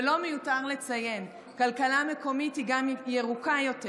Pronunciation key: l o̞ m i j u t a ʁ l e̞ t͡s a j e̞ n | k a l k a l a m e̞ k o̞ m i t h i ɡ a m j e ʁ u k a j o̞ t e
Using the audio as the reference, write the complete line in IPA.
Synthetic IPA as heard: l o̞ m e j u t a ʁ l e̞ t͡s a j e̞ n | k a l k a l a m e̞ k o̞ m i t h i ɡ a m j e ʁ u k a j o̞ t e